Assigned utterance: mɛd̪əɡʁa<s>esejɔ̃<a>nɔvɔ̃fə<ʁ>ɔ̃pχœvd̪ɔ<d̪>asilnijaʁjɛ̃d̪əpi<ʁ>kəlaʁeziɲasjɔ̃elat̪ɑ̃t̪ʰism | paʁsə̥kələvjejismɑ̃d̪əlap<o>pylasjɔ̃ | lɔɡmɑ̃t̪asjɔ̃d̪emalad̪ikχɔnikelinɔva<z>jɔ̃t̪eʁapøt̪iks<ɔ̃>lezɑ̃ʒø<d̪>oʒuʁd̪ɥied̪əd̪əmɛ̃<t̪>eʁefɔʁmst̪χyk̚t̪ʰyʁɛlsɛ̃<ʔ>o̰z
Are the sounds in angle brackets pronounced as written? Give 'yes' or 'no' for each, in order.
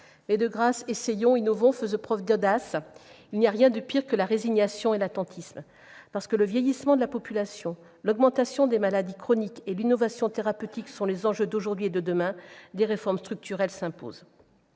yes, no, no, yes, yes, no, no, yes, yes, no, no

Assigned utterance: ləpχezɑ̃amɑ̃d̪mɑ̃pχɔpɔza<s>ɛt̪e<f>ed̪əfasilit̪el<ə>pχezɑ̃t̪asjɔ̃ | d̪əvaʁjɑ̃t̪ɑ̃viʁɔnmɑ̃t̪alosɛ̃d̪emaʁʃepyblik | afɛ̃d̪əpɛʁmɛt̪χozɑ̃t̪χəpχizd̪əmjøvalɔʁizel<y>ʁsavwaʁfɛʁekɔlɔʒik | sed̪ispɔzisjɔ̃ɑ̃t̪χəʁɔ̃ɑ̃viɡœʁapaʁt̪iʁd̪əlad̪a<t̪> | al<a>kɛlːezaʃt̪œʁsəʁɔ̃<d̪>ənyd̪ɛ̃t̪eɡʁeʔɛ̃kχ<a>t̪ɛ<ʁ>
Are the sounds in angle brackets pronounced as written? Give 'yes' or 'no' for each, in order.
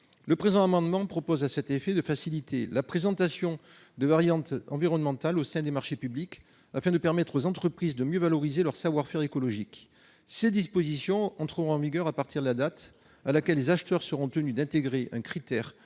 yes, yes, no, no, yes, yes, no, no, yes

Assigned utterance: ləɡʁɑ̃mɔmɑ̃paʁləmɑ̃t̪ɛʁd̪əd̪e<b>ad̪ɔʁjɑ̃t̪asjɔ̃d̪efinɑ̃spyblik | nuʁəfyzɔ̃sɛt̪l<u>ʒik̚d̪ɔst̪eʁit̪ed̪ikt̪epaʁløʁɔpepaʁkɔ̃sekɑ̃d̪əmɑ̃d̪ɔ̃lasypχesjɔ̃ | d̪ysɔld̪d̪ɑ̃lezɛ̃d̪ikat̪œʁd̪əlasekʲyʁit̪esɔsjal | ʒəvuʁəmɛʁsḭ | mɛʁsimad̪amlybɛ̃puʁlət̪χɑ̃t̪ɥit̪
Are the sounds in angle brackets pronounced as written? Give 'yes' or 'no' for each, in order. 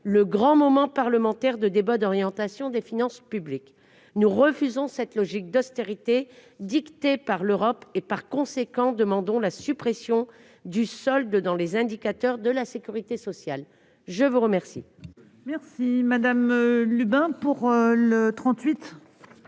yes, no

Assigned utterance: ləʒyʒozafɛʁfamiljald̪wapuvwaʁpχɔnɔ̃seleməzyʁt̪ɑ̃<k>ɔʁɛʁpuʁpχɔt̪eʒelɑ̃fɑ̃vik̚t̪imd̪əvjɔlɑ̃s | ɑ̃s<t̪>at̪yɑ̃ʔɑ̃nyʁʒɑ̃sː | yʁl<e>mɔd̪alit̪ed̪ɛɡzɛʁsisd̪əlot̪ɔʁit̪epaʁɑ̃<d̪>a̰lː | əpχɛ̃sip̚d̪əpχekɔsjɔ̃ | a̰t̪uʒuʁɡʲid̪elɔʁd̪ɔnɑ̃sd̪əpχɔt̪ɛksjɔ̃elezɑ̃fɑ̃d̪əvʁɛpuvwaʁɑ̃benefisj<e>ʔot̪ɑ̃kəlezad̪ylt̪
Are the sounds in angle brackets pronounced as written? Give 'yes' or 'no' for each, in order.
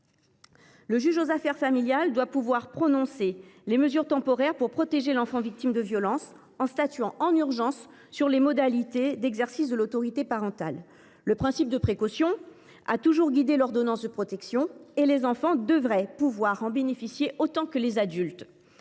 no, yes, yes, no, yes

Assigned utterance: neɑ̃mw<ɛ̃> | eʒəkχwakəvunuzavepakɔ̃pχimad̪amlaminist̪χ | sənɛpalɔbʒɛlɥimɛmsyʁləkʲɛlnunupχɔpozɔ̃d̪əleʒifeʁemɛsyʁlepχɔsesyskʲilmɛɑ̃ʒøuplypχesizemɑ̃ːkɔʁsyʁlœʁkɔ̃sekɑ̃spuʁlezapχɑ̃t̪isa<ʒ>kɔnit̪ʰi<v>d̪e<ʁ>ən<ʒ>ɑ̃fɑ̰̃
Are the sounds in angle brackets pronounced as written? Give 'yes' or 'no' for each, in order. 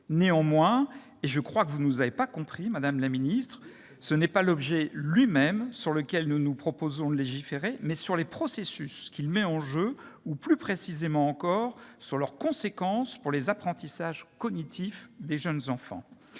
yes, yes, no, no, no

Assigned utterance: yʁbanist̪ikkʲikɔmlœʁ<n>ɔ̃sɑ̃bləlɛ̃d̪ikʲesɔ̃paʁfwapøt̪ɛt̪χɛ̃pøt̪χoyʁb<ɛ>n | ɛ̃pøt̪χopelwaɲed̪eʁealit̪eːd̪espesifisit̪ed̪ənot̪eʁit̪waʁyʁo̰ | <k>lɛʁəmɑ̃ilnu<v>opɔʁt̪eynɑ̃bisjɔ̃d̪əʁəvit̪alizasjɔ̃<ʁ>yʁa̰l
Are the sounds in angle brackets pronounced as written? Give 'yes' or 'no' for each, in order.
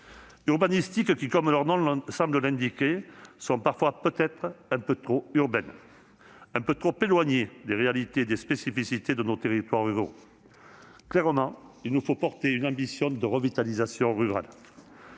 yes, yes, yes, no, yes

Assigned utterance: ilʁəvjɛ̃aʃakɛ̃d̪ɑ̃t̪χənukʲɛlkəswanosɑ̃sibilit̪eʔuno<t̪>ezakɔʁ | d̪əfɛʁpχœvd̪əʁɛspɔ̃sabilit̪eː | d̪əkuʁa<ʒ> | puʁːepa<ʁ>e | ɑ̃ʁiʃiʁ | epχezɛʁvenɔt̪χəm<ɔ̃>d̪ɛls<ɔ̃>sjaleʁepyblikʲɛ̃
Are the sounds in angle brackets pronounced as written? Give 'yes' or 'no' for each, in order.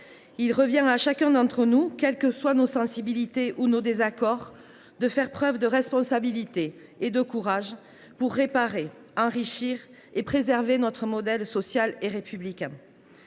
no, yes, yes, no, no

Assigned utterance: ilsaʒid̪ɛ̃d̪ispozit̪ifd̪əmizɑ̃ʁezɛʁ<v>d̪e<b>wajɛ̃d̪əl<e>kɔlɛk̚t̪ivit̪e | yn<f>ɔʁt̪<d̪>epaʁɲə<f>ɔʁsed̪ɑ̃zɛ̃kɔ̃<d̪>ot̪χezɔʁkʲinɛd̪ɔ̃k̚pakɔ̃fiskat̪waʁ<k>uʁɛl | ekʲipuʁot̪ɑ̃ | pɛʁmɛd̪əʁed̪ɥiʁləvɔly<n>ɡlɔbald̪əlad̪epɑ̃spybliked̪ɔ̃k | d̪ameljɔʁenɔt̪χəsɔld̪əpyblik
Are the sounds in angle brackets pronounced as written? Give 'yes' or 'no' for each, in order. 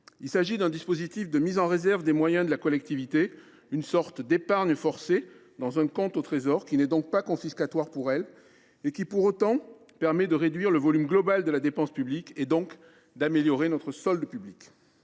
yes, no, no, no, yes, yes, no, no, no

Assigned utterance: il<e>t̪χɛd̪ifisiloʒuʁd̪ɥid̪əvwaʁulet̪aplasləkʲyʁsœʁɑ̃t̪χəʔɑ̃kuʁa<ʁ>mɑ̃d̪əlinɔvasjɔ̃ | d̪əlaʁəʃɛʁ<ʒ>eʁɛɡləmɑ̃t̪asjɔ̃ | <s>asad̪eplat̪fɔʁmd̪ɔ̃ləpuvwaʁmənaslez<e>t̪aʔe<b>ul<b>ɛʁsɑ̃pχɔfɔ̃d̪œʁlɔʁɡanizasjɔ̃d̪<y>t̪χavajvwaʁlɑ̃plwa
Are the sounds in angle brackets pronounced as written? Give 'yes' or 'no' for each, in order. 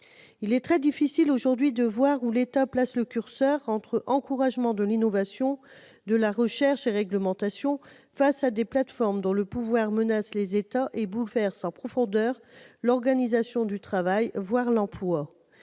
no, no, no, no, yes, yes, no, yes

